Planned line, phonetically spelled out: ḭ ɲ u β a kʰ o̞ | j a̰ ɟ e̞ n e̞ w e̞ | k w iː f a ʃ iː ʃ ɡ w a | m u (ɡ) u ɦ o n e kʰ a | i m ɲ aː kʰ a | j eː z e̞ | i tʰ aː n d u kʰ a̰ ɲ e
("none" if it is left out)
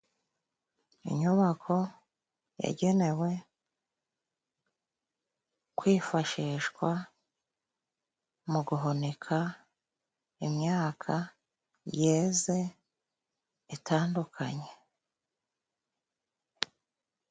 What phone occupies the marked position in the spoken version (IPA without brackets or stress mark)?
ɡ